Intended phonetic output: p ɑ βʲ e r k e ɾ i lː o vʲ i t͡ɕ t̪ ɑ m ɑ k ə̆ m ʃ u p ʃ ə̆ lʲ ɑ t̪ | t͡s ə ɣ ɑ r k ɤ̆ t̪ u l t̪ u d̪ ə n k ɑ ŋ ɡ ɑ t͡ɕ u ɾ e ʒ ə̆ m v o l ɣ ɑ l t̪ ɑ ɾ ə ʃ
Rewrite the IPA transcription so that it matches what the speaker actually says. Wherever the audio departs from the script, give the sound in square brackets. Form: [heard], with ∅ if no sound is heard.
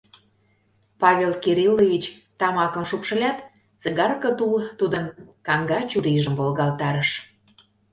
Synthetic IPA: p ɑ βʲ e [l] k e ɾ i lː o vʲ i t͡ɕ t̪ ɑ m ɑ k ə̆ m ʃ u p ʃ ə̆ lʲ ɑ t̪ | t͡s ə ɣ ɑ r k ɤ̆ t̪ u l t̪ u d̪ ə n k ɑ ŋ ɡ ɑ t͡ɕ u ɾ [i] ʒ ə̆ m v o l ɣ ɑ l t̪ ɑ ɾ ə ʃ